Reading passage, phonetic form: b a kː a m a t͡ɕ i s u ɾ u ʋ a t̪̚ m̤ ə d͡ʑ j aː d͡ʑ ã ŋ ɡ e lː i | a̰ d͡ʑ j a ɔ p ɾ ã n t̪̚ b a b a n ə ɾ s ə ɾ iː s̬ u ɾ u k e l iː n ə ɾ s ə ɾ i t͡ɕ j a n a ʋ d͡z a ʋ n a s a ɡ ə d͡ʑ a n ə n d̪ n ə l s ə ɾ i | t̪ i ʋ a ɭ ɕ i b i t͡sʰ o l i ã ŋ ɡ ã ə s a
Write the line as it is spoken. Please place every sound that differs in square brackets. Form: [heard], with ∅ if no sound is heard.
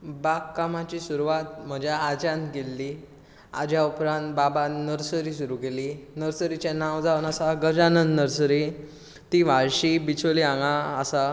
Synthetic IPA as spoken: b a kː a m a t͡ɕ i s u ɾ u ʋ a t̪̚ m̤ ə d͡ʑ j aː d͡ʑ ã [n] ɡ e lː i | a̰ d͡ʑ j a [u] p ɾ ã n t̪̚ b a b a n ə ɾ s ə ɾ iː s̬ u ɾ u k e l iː n ə ɾ s ə ɾ i t͡ɕ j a n a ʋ d͡z a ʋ n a s a ɡ ə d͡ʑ a n ə n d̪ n ə [ɾ] s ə ɾ i | t̪ i ʋ a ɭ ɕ i b i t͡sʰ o l i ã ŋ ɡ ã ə s a